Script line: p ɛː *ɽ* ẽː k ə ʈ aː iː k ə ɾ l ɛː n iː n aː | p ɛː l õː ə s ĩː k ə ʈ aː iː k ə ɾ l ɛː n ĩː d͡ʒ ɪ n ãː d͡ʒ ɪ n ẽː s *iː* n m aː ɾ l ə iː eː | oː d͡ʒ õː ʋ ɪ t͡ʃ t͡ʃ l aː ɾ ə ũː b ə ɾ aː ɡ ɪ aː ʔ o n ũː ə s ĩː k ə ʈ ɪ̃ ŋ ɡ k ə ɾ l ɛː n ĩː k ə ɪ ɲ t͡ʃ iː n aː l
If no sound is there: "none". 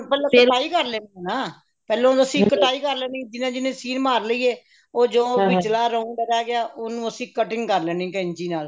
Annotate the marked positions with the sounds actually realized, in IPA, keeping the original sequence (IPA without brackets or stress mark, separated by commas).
l, iː